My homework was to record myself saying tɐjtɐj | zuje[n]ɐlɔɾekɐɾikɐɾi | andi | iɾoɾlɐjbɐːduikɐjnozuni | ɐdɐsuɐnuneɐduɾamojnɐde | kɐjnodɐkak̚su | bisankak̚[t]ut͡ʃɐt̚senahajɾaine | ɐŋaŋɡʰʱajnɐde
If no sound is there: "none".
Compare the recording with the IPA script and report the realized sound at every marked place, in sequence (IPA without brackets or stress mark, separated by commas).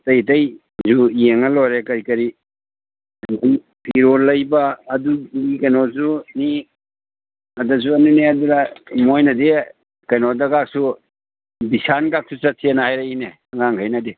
ŋ, s